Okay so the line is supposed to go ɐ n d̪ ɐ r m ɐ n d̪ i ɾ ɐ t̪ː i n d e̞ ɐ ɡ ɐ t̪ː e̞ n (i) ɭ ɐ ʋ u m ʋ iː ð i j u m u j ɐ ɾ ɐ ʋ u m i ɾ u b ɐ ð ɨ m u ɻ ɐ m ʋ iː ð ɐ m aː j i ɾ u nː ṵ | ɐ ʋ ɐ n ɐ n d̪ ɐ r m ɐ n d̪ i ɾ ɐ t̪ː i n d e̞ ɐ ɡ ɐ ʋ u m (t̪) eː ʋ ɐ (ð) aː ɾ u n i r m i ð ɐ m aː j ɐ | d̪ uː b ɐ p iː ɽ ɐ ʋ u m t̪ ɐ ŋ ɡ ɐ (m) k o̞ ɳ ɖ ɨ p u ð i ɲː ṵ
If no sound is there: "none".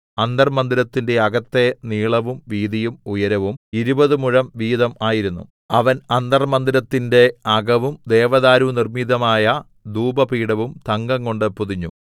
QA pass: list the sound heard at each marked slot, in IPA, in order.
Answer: iː, d̪, ð, ŋ

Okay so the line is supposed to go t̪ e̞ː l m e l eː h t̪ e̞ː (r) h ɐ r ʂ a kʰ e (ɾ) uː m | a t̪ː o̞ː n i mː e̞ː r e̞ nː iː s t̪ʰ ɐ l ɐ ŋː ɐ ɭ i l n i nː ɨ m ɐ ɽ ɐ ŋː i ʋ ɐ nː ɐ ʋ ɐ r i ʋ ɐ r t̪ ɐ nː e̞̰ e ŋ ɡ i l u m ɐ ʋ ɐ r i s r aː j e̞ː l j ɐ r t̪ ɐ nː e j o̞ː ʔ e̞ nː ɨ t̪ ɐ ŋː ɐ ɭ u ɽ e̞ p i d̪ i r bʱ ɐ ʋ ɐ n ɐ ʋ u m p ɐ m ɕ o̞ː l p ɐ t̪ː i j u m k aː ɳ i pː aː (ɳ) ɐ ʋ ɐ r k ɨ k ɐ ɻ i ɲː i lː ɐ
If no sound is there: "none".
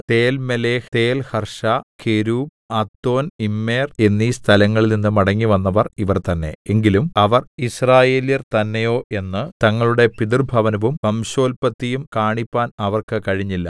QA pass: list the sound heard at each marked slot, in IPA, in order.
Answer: l, ɾ, n

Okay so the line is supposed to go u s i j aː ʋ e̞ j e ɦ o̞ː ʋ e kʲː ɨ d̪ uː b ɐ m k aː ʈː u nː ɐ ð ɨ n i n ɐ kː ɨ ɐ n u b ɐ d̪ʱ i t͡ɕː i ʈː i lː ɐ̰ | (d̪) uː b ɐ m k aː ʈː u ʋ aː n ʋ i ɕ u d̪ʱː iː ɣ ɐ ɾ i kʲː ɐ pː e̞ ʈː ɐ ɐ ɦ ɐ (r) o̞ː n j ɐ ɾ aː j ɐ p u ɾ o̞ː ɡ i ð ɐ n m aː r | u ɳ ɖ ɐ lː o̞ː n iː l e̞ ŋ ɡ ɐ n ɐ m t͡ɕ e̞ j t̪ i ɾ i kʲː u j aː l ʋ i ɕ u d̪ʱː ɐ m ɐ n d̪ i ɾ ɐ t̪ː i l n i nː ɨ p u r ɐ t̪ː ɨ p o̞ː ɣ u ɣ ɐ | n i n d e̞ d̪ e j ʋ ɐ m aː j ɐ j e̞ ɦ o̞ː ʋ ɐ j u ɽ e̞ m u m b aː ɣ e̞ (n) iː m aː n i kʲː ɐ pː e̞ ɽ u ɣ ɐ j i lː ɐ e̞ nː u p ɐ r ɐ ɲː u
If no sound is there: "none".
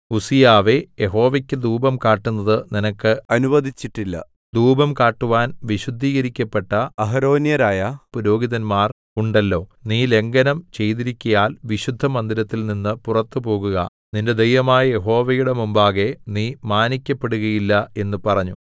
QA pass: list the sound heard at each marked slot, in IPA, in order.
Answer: d̪, ɾ, n

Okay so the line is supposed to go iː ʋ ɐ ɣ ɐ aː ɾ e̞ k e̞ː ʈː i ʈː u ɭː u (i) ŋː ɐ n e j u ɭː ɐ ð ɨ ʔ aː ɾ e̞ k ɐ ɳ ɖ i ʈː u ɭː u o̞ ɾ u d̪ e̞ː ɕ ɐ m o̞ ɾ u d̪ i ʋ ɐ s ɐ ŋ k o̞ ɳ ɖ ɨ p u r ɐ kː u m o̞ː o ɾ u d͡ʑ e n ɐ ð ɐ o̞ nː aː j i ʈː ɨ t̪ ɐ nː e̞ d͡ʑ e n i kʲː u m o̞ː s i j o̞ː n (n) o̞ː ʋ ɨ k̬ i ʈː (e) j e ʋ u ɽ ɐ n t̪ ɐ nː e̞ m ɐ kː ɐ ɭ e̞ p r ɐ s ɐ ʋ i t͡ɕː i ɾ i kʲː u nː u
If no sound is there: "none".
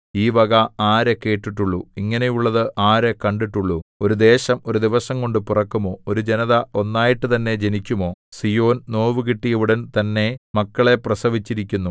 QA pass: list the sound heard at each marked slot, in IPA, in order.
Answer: i, n, i

